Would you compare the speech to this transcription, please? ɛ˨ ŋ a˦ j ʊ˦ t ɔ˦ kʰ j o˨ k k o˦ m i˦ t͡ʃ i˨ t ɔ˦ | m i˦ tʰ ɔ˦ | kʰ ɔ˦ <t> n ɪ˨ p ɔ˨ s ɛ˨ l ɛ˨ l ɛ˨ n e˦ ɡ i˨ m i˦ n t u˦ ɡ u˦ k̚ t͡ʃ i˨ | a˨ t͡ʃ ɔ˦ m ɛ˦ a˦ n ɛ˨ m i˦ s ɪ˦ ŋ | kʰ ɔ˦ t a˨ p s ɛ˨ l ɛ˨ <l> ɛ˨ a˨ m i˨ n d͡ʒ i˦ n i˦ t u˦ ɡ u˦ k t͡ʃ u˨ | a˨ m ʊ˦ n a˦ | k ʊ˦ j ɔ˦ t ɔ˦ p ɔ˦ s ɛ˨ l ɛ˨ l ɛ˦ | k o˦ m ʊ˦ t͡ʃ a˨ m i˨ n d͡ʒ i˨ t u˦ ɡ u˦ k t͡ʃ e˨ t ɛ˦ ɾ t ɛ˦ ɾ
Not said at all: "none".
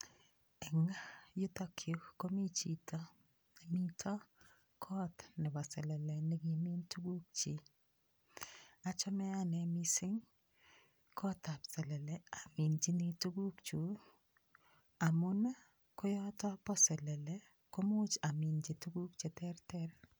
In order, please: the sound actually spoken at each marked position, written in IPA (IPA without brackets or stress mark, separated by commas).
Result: t, l